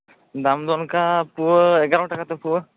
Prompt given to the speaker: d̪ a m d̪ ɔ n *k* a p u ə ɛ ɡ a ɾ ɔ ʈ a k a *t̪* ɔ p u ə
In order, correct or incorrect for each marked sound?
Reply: correct, correct

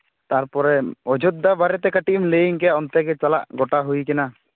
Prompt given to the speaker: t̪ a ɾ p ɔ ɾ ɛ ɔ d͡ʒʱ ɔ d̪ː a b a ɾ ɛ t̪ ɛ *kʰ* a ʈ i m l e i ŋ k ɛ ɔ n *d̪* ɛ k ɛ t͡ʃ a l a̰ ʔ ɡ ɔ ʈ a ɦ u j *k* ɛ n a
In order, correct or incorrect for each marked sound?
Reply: incorrect, incorrect, correct

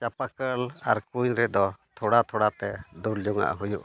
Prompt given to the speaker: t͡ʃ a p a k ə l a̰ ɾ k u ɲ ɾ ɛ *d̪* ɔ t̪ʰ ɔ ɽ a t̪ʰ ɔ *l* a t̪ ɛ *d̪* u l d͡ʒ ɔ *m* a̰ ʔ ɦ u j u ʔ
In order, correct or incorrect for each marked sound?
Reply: correct, incorrect, correct, incorrect

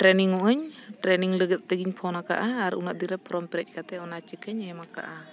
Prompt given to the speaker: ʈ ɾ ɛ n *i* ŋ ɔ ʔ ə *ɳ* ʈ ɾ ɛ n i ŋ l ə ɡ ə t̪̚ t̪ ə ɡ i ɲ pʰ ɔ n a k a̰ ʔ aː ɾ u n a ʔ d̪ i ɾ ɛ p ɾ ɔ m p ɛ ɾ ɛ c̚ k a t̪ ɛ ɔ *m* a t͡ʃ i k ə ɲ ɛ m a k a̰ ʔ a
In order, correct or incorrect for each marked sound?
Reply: correct, incorrect, incorrect

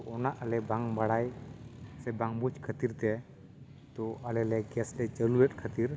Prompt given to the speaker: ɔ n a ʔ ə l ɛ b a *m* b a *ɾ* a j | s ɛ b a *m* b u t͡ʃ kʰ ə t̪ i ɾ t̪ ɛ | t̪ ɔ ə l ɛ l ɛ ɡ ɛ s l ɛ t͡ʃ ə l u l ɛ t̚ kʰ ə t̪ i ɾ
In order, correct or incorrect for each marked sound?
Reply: incorrect, incorrect, incorrect

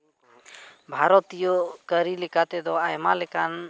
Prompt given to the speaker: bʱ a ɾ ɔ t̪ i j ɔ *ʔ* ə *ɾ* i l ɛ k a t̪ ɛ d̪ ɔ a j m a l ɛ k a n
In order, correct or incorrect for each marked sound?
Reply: incorrect, correct

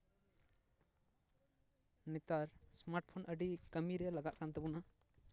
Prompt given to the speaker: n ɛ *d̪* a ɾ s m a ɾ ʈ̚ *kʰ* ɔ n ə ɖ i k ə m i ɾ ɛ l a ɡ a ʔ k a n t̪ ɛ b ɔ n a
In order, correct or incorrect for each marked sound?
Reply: incorrect, incorrect

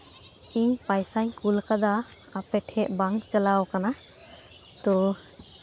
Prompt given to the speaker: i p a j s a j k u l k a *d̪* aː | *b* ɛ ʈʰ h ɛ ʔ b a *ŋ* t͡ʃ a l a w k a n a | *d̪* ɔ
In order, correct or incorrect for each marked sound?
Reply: correct, incorrect, correct, incorrect

